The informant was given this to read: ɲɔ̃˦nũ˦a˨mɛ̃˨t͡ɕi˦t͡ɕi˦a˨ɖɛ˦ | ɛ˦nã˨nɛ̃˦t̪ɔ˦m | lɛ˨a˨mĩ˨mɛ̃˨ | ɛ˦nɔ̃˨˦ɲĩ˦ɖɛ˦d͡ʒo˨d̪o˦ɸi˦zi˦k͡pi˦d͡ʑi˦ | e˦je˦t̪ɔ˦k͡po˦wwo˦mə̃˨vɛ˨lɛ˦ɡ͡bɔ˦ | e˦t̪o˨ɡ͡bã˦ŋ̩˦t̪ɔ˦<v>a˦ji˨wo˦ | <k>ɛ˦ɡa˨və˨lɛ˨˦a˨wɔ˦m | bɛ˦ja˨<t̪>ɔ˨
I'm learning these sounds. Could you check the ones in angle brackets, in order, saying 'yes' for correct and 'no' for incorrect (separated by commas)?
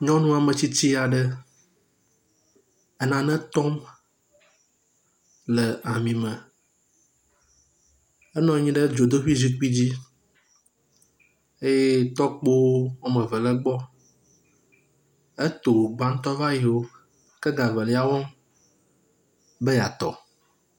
yes, yes, yes